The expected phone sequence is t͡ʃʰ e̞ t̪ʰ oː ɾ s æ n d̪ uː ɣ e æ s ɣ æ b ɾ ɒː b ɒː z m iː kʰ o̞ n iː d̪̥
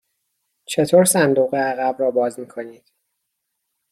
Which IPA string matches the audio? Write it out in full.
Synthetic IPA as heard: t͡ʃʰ e̞ t̪ʰ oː ɾ s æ n d̪ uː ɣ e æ ɣ æ b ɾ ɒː b ɒː z m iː kʰ o̞ n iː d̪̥